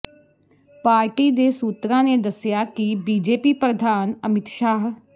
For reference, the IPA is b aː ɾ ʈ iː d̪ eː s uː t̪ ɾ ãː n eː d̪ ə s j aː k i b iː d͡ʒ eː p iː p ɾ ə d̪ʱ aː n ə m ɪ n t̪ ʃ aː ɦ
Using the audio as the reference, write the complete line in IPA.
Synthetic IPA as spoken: p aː ɾ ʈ iː d̪ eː s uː t̪ ɾ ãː n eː d̪ ə s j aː k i b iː d͡ʒ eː p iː p ɾ ə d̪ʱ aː n ə m ɪ t̪ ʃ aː ɦ